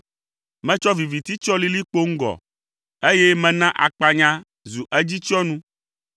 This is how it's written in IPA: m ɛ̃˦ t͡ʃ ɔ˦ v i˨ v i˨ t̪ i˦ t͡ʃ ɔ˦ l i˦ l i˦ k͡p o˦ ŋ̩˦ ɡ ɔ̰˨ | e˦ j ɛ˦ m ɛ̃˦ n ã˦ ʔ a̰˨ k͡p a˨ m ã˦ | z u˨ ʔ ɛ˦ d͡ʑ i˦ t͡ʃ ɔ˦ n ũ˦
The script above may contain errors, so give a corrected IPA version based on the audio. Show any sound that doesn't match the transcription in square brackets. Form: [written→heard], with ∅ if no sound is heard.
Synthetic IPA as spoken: m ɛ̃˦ t͡ʃ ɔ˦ v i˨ v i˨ t̪ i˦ t͡ʃ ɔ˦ l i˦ l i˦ k͡p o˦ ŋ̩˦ ɡ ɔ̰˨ | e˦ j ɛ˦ m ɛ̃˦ n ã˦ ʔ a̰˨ k͡p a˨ [m→ɲ] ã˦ | z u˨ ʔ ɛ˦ d͡ʑ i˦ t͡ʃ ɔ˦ n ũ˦